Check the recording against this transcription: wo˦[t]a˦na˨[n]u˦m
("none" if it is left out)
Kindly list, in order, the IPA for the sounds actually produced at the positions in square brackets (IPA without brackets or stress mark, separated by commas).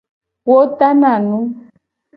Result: t, n